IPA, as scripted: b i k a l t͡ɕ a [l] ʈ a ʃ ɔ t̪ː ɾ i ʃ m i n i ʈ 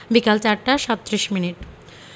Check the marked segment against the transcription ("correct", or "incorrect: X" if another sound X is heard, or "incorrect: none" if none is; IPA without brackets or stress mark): incorrect: ɾ